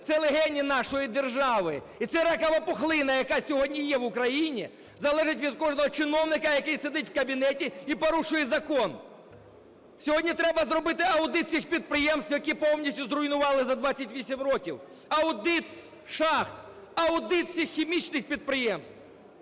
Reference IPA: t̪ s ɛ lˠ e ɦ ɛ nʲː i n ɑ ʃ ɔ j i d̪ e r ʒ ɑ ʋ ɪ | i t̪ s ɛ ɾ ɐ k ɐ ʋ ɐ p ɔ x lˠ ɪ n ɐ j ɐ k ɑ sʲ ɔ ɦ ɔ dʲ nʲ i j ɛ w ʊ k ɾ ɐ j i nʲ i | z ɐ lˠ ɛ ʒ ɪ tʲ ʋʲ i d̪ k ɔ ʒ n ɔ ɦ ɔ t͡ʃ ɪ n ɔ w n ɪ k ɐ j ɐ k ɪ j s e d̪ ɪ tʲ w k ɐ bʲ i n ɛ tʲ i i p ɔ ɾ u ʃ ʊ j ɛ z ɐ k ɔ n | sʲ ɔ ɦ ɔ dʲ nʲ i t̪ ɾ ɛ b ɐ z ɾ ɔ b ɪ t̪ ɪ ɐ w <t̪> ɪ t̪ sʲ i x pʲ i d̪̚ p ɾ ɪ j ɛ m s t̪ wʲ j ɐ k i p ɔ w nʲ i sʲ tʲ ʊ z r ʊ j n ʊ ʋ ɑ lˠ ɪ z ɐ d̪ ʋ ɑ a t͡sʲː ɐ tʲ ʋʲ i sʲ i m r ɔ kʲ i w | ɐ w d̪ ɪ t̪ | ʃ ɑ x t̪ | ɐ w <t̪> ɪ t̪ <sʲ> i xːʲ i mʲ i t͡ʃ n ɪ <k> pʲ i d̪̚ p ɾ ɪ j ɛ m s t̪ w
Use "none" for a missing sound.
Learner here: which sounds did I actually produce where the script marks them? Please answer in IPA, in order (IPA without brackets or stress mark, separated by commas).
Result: d̪, d̪, sʲ, x